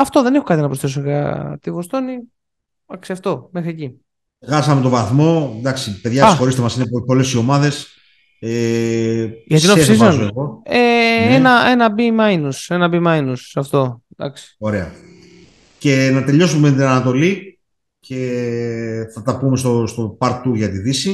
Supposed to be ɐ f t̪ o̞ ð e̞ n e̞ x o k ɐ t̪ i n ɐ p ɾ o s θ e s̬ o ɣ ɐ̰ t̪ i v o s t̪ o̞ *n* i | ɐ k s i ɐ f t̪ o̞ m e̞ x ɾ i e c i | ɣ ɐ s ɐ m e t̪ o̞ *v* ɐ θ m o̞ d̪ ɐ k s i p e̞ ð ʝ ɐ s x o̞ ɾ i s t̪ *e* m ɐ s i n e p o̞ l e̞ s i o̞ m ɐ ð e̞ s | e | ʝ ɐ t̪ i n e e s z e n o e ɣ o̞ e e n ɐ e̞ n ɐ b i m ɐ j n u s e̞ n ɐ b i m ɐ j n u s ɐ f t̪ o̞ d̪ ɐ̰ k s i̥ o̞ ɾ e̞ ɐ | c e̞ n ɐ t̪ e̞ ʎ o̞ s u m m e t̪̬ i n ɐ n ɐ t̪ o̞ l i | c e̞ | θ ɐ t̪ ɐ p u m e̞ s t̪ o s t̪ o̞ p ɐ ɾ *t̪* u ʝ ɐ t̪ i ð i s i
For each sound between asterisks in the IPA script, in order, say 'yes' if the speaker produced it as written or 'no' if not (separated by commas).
yes, yes, yes, yes